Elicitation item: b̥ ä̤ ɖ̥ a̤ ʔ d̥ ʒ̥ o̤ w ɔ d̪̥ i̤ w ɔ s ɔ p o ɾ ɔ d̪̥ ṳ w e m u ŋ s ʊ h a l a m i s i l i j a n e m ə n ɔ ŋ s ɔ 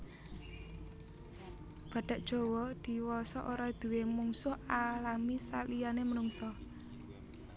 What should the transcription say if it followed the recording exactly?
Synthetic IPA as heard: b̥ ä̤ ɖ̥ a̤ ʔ d̥ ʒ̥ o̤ w ɔ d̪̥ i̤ w ɔ s ɔ ʔ o ɾ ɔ d̪̥ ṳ w e m u ŋ s ʊ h a l a m i s a l i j a n e m ə n u ŋ s ɔ